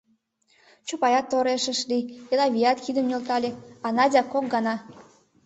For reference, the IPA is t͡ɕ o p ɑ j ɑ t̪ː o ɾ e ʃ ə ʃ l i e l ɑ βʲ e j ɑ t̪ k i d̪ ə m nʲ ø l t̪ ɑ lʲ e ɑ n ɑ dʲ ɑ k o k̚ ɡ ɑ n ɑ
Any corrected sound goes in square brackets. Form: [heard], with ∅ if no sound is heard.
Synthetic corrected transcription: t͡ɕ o p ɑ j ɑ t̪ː o ɾ e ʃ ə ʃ l i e l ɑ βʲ [i] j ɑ t̪ k i d̪ ə m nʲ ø l t̪ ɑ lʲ e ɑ n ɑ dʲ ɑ k o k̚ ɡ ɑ n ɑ